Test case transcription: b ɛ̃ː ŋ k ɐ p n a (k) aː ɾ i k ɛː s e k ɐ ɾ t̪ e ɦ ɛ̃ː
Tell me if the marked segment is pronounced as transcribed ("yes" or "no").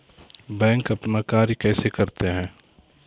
yes